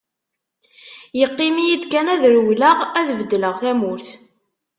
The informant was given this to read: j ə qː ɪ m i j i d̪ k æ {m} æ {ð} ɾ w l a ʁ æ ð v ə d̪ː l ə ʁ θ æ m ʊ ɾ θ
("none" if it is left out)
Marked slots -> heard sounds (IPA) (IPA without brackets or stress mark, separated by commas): n, ð